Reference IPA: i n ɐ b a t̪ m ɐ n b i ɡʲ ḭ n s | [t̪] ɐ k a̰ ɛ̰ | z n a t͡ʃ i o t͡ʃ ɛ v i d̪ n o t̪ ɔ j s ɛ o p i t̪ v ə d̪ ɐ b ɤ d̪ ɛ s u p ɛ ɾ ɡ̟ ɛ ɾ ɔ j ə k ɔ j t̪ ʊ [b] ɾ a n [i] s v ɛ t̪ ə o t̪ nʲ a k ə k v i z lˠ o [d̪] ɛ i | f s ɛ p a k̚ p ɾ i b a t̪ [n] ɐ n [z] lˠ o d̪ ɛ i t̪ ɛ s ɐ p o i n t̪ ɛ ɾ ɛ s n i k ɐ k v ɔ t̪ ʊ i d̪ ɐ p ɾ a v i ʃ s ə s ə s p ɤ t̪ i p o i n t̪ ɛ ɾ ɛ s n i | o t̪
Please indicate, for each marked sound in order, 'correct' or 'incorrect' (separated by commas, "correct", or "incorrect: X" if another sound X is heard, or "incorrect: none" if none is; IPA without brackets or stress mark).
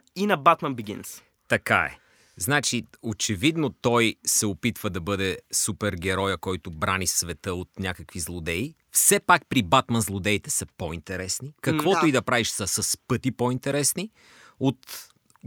correct, correct, correct, correct, incorrect: m, correct